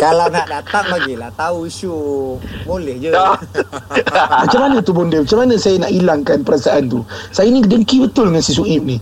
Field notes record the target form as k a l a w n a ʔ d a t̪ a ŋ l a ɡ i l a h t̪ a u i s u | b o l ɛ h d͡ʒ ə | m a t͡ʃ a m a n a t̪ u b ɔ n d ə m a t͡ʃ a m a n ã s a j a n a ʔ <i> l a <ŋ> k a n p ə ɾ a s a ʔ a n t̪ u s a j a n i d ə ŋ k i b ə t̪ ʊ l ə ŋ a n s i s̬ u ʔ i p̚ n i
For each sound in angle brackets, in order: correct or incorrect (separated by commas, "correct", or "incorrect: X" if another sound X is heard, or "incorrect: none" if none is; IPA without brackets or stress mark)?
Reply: correct, correct